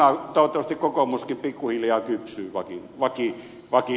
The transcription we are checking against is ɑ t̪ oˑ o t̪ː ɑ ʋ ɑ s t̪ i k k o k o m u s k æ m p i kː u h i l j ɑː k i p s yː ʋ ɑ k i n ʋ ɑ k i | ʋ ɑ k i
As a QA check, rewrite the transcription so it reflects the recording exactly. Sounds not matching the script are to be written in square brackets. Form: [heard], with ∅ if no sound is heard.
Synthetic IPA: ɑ t̪ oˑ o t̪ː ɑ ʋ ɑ s t̪ i k k o k o m u s k [i] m p i kː u h i l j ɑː k [y] p s yː ʋ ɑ k i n ʋ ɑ k i | ʋ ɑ k i